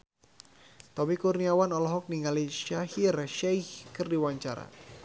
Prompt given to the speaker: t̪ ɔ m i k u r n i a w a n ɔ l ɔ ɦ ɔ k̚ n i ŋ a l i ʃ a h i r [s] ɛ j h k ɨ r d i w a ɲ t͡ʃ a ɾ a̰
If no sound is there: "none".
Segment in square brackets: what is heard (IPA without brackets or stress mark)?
ʃ